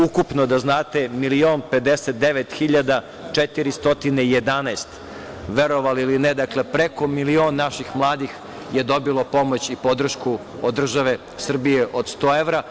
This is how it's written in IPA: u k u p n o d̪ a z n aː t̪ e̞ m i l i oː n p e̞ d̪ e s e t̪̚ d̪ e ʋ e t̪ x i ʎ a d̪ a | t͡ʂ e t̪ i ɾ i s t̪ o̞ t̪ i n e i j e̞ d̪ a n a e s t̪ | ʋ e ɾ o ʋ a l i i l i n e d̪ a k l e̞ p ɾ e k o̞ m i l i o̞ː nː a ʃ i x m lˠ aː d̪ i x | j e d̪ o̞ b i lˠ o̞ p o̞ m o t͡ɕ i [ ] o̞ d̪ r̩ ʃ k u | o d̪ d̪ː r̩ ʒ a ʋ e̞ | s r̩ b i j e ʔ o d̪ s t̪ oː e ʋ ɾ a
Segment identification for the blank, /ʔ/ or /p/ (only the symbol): p